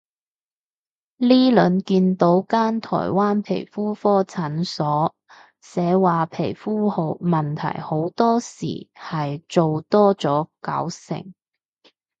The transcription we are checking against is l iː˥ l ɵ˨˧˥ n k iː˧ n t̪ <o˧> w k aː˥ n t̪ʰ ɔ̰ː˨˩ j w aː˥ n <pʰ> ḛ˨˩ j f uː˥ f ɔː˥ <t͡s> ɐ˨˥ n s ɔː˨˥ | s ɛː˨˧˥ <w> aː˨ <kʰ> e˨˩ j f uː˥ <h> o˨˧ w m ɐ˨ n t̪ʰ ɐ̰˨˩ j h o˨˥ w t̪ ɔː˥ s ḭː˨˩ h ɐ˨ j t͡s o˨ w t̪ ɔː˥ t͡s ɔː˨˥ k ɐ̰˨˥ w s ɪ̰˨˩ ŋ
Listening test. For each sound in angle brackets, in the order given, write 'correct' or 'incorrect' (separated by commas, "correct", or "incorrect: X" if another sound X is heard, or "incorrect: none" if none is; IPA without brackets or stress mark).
incorrect: o˨˥, correct, incorrect: t͡sʰ, correct, incorrect: pʰ, correct